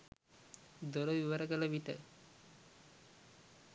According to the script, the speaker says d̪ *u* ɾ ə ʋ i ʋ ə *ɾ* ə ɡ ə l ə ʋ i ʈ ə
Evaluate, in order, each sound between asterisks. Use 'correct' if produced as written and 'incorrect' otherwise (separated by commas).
incorrect, correct